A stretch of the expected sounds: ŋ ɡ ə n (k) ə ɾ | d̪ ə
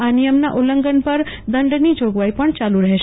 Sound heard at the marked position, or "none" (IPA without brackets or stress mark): p